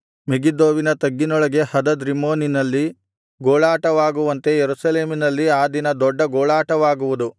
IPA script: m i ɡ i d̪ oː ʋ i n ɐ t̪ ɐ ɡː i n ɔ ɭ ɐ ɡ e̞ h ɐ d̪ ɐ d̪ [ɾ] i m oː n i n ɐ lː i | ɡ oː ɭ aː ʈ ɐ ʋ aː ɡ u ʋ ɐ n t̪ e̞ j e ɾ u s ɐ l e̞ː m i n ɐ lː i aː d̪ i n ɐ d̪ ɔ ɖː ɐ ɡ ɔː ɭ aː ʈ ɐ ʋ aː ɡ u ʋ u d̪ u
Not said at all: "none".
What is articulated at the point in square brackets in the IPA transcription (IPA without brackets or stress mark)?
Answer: ɾ